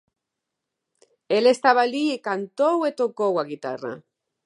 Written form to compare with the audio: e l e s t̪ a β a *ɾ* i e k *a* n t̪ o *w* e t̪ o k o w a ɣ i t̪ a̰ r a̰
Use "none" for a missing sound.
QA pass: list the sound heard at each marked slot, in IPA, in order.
l, a, w

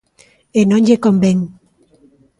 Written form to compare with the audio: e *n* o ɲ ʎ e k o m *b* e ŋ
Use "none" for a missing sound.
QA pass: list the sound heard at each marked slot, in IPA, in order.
n, b

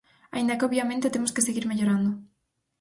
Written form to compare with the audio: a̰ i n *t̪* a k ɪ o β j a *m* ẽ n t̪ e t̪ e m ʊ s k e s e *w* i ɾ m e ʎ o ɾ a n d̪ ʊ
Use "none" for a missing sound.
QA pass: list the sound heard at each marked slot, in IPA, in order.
d̪, m, ɣ

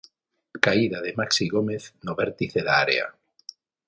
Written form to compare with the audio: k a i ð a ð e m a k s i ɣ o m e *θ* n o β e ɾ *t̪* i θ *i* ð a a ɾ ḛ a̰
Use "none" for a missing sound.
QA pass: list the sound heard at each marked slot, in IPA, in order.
θ, t̪, e

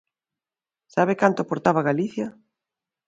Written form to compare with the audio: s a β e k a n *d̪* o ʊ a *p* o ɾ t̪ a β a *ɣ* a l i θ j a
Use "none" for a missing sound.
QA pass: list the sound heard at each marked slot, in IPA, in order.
t̪, p, ɣ

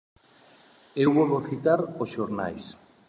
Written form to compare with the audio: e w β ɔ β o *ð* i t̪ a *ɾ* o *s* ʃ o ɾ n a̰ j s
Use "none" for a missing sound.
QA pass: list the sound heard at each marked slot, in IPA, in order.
θ, ɾ, s

